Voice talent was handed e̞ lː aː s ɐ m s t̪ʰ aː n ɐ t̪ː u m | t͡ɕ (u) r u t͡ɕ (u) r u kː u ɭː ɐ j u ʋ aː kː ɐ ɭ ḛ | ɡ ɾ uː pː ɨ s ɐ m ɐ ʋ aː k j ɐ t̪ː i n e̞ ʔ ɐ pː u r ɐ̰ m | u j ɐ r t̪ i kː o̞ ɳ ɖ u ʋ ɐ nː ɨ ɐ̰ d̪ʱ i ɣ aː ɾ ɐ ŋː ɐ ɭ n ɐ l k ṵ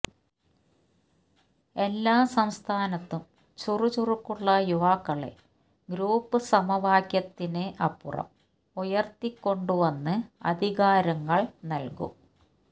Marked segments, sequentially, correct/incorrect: correct, correct

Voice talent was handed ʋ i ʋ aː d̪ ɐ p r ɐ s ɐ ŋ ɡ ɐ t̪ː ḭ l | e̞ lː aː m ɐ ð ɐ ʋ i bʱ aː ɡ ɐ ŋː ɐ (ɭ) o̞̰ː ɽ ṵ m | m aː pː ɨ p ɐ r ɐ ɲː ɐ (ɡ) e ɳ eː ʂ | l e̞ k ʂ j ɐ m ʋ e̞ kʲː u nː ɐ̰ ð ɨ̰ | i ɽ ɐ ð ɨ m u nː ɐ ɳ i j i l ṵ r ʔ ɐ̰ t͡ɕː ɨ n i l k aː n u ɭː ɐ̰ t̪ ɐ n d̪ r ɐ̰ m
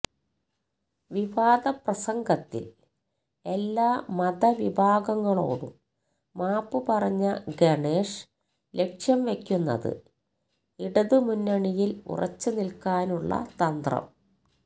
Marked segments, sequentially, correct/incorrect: correct, correct

